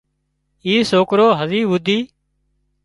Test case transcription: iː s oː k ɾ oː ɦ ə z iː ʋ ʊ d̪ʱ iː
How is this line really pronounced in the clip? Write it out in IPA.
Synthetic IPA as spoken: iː s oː k ɾ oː ɦ ə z iː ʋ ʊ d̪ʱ iː